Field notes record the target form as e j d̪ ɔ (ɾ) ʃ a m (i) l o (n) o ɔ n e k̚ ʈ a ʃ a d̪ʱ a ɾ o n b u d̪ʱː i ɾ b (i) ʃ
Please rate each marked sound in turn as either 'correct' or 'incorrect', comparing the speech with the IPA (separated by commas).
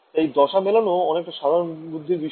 incorrect, incorrect, correct, correct